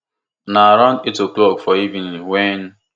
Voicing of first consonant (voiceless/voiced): voiced